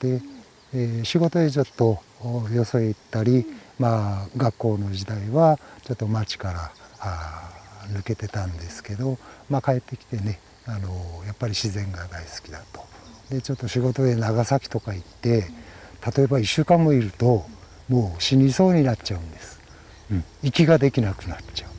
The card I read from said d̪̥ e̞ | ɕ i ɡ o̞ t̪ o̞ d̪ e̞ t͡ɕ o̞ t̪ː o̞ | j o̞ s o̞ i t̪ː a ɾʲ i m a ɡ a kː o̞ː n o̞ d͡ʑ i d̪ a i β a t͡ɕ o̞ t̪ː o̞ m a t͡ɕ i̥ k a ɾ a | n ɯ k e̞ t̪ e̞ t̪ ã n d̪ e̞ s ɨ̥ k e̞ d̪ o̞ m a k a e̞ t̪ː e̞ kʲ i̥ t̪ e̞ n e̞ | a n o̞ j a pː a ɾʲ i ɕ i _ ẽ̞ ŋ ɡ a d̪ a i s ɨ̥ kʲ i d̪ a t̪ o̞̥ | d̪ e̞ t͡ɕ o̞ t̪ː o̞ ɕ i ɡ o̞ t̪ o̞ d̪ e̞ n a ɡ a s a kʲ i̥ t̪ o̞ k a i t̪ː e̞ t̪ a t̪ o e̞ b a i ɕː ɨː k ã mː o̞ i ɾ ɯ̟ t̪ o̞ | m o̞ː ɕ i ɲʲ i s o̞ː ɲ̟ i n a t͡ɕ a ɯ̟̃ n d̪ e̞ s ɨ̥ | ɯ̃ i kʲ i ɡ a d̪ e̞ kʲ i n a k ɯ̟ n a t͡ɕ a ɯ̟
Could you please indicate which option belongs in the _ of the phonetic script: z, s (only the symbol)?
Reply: z